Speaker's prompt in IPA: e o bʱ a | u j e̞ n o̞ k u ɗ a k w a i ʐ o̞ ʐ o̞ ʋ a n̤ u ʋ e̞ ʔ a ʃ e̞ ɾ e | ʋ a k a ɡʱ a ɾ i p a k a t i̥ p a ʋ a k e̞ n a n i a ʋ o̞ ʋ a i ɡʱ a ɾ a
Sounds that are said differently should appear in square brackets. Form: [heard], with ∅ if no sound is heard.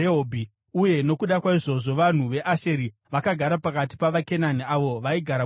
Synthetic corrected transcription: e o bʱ [i] | u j e̞ n o̞ k u ɗ a k w a i ʐ o̞ ʐ o̞ ʋ a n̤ u ʋ e̞ ʔ a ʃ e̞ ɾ [i] | ʋ a k a ɡʱ a ɾ [a] p a k a t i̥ p a ʋ a k e̞ n a n i a ʋ o̞ ʋ a i ɡʱ a ɾ a